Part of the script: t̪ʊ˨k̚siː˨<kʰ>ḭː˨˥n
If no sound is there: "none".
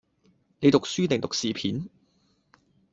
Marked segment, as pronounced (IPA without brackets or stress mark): pʰ